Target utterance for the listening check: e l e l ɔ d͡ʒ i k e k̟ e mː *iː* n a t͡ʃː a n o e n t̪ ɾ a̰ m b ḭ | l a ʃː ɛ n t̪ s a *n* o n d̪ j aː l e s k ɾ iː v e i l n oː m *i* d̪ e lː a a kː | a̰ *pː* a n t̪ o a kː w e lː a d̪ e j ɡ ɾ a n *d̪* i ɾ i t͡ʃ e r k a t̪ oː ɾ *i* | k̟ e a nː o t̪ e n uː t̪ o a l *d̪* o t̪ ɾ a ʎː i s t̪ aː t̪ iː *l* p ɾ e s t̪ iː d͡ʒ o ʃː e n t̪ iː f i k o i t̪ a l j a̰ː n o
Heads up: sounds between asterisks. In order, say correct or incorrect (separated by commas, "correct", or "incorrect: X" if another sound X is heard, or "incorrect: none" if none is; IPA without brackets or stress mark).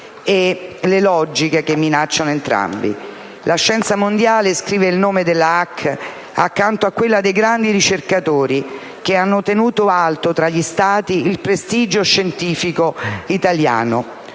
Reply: incorrect: i, incorrect: m, incorrect: e, incorrect: kː, correct, correct, incorrect: t̪, correct